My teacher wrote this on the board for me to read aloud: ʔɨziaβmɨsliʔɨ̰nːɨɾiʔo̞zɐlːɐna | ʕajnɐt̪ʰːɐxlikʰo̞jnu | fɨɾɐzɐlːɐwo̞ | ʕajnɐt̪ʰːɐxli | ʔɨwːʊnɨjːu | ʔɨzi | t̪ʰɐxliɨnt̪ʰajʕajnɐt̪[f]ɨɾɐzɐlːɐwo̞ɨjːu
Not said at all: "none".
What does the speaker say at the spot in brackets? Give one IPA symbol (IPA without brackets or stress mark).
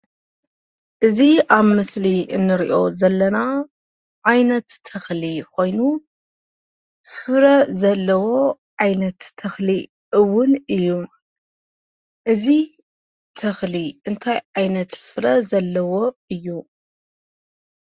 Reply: f